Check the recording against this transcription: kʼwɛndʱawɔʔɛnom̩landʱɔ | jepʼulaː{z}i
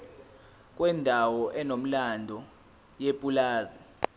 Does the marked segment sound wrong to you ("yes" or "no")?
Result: no